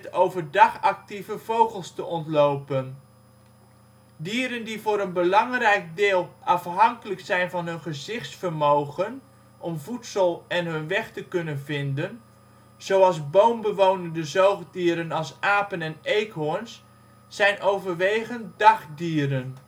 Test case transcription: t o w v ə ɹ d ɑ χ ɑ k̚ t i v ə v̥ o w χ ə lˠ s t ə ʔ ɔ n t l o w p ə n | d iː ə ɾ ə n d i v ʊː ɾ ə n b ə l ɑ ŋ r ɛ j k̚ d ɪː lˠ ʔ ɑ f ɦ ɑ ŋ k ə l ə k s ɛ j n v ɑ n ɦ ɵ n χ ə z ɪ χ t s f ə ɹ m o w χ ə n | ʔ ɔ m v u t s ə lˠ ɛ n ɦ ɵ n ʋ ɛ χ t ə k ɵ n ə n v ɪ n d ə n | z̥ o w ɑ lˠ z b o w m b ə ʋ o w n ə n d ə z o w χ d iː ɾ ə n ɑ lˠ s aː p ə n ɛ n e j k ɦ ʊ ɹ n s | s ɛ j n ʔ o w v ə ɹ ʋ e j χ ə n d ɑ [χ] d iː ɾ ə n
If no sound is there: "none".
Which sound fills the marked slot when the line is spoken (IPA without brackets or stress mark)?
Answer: χ